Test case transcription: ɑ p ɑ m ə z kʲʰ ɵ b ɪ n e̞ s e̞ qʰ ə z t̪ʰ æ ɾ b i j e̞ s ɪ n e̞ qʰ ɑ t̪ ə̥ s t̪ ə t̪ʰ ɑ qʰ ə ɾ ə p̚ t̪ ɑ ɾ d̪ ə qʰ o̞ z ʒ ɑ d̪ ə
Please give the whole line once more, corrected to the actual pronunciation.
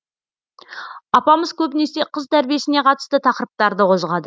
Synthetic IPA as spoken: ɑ p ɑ m ə z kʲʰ ɵ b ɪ n e̞ s e̞ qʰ ə z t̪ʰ æ ɾ b i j e̞ s ɪ n e̞ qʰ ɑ t̪ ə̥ s t̪ ə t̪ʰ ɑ q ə ɾ ə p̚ t̪ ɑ ɾ d̪ ə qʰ o̞ z ʁ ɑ d̪ ə

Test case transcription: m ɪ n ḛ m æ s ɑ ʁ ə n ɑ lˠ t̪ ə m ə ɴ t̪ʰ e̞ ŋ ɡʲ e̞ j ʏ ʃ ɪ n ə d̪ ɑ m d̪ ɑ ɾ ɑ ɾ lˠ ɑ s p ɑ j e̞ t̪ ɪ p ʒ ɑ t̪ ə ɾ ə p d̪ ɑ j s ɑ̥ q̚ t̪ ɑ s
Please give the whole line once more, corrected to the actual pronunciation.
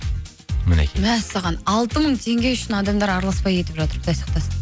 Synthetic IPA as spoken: m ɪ n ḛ m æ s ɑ ʁ ɑ n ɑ lˠ t̪ ə m ə ɴ t̪ʰ e̞ ŋ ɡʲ e̞ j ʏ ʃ ɪ n ɑ d̪ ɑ m d̪ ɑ ɾ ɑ ɾ lˠ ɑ s p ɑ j e̞ t̪ ɪ p ʒ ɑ t̪ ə ɾ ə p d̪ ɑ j s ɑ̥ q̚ t̪ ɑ s

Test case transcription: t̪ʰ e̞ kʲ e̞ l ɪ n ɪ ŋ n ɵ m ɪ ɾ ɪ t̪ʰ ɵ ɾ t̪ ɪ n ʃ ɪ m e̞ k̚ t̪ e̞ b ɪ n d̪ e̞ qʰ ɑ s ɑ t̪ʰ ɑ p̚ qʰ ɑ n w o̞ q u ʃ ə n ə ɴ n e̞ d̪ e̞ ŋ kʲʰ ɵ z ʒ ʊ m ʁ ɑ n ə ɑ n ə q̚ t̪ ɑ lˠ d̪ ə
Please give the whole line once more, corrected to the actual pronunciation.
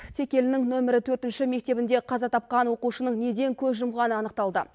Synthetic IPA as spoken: t̪ʰ e̞ kʲ e̞ l ɪ n ɪ ŋ n ɵ m ɪ ɾ ɪ t̪ʰ ɵ ɾ t̪ ɪ n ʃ ɪ m e̞ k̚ t̪ e̞ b ɪ n d̪ e̞ qʰ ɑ z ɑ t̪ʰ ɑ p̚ q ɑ n w o̞ q u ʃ ə n ə ɴ n e̞ d̪ e̞ ŋ kʲʰ ɵ z ʒ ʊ m ʁ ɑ n ə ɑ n ə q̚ t̪ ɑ lˠ d̪ ə

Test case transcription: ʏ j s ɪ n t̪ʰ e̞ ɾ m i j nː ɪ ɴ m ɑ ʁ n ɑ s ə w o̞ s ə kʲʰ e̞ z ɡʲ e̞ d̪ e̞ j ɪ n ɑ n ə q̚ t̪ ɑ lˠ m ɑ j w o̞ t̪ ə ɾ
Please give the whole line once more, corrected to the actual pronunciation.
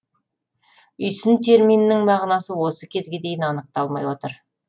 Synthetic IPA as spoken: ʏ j s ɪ n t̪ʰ e̞ ɾ m i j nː ɪ ŋ m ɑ ʁ n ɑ s ə w o̞ s ə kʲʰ e̞ z ɡʲ e̞ d̪ e̞ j ɪ n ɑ n ə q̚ t̪ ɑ lˠ m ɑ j w o̞ t̪ ə ɾ

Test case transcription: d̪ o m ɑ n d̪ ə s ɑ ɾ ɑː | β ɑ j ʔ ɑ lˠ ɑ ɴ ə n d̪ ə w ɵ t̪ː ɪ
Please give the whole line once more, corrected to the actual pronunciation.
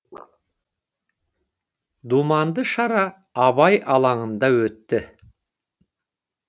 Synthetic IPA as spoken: d̪ u m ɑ n d̪ ə ʃ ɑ ɾ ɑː | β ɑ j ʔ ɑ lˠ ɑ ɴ ə n d̪ ɑ w ɵ t̪ː ɪ

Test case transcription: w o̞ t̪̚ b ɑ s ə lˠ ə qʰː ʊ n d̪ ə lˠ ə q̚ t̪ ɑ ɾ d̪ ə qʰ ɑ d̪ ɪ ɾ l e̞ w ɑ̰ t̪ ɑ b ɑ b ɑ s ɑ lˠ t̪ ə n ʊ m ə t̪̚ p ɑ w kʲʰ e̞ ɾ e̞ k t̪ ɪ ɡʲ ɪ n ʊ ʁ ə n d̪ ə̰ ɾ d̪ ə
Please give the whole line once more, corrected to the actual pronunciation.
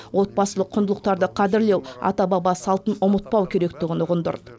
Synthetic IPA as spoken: w o̞ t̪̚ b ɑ s ə lˠ ə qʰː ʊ n d̪ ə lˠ ə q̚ t̪ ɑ ɾ d̪ ə qʰ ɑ d̪ ɪ ɾ l e̞ w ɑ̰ t̪ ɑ b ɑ b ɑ s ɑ lˠ t̪ ə n ʊ m ə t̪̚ p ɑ w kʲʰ e̞ ɾ e̞ k t̪ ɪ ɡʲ ɪ n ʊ ʁ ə n d̪ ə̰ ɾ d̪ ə

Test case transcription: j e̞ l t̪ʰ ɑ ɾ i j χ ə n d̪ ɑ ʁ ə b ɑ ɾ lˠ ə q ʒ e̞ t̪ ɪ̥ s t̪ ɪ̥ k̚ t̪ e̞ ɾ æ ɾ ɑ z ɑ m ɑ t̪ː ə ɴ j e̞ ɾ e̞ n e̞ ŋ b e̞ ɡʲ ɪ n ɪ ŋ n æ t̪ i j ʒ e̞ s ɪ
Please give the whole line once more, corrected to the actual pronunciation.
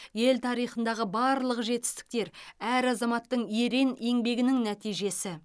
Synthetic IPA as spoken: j e̞ l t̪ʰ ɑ ɾ i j χ ə n d̪ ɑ ʁ ə b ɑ ɾ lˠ ə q ʒ e̞ t̪ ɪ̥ s t̪ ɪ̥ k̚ t̪ e̞ ɾ æ ɾ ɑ z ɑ m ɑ t̪ː ə ɴ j e̞ ɾ e̞ n e̞ ŋ b e̞ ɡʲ ɪ n ɪ ŋ n æ t̪ i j ʒ e̞ s ɪ

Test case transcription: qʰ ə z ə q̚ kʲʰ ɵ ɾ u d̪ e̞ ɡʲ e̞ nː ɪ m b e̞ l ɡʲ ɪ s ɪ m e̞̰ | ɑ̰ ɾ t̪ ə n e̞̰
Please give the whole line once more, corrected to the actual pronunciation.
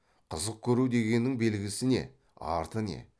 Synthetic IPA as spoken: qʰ ə z ə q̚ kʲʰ ɵ ɾ u d̪ e̞ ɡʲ e̞ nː ɪ ŋ b e̞ l ɡʲ ɪ s ɪ n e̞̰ | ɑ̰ ɾ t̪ ə n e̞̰

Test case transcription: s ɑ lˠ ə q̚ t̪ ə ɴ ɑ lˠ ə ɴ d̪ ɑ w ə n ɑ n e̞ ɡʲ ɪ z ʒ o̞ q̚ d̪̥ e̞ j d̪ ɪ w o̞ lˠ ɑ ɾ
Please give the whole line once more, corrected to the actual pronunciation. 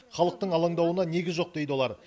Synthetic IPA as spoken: χ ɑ lˠ ə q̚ t̪ ə ɴ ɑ lˠ ɑ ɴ d̪ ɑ w ə n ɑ n e̞ ɡʲ ɪ z ʒ o̞ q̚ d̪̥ e̞ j d̪ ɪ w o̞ lˠ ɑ ɾ

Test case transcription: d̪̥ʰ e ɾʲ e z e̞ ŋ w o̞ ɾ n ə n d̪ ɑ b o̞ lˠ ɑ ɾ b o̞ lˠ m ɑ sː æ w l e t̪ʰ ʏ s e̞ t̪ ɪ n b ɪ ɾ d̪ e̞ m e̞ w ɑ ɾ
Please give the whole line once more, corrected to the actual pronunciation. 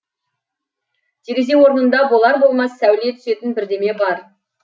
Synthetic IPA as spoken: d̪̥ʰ e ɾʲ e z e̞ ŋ w o̞ ɾ n ə n d̪ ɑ b o̞ lˠ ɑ ɾ b o̞ lˠ m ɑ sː æ w l e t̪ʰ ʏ s e̞ t̪ ɪ n b ɪ ɾ d̪ e̞ m e̞ b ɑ ɾ

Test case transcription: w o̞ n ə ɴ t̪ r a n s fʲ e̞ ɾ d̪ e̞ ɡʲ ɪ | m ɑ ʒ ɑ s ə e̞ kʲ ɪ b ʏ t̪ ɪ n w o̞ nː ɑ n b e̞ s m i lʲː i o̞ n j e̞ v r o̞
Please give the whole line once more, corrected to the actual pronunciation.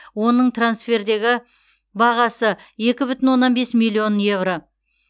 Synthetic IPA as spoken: w o̞ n ə ɴ t̪ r a n s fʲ e̞ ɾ d̪ e̞ ɡʲ ɪ | b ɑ ʁ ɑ s ə e̞ kʲ ɪ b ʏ t̪ ɪ n w o̞ nː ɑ n b e̞ s m i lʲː i o̞ n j e̞ v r o̞

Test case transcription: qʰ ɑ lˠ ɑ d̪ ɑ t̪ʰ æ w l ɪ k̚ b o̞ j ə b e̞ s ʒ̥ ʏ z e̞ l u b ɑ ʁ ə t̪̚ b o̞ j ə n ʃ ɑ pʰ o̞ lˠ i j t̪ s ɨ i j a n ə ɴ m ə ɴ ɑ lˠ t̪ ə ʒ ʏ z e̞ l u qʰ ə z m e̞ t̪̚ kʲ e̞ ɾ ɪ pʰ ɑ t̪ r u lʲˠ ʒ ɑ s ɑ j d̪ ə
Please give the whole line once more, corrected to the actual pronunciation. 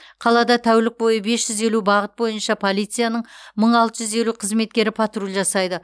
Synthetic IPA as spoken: qʰ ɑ lˠ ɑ d̪ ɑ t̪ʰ æ w l ɪ k̚ b o̞ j ə b e̞ s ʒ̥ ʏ z e̞ l u b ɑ ʁ ə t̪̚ b o̞ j ə n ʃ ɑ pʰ o̞ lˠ i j t̪ s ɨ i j a n ə ɴ m ə ɴ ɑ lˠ t̪ ə ʒ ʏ z e̞ l u qʰ ə z m e̞ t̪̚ kʲ e̞ ɾ ɪ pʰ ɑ t̪ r u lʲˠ ʒ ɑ s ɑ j d̪ ə

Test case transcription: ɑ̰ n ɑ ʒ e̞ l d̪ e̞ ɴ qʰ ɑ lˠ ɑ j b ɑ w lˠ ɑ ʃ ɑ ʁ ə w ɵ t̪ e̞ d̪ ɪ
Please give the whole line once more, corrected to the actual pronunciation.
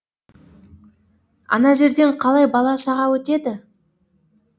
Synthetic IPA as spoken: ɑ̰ n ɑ ʒ e̞ ɾ d̪ e̞ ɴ qʰ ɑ lˠ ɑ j b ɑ lˠ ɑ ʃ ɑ ʁ ɑ w ɵ t̪ e̞ d̪ ɪ

